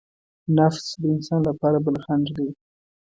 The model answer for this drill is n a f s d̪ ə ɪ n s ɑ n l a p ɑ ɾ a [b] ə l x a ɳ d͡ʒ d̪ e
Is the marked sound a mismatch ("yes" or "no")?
no